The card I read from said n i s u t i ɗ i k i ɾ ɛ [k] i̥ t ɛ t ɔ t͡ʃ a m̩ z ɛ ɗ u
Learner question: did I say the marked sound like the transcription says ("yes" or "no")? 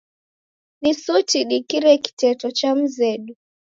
yes